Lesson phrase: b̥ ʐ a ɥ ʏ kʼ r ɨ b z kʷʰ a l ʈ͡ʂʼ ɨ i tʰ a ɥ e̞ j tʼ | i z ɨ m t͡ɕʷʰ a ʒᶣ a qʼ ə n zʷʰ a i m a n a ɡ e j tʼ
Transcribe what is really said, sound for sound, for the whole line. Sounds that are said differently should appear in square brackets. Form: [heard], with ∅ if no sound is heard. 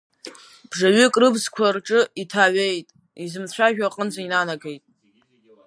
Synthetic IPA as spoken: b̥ ʐ a ɥ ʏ kʼ r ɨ b z kʷʰ a [r] ʈ͡ʂʼ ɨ i tʰ a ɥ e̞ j tʼ | i z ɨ m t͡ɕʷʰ a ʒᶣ a qʼ ə n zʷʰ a i [n] a n a ɡ e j tʼ